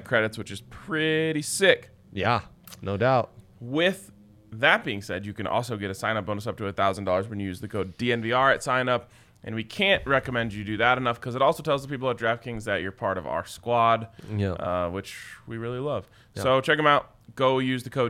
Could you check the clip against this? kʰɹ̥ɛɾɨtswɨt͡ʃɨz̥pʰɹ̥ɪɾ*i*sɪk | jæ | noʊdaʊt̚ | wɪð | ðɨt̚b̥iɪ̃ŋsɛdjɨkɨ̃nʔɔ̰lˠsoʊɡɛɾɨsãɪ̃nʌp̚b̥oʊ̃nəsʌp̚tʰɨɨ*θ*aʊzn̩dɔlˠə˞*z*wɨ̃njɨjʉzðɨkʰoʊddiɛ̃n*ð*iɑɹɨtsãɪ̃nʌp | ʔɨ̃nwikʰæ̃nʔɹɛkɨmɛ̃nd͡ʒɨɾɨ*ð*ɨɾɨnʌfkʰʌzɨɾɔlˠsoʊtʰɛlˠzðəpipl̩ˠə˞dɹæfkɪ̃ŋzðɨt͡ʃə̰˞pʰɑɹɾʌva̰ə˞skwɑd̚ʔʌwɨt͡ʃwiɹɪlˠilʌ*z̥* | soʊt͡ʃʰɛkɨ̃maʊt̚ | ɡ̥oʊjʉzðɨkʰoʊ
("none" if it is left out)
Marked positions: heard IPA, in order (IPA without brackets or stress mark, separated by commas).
i, θ, z, v, ð, v̥